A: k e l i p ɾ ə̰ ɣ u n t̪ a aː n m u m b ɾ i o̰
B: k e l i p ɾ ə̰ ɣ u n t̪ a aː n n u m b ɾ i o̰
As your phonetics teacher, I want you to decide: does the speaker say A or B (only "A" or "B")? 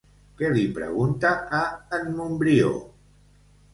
A